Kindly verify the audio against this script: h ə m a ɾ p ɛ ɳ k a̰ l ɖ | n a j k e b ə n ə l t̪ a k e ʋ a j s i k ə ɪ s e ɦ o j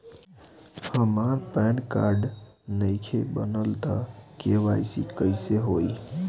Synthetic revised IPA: h ə m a ɾ p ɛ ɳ k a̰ ɾ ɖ | n ə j kʰ e b ə n ə l t̪ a k e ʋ a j s i k ə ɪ s e ɦ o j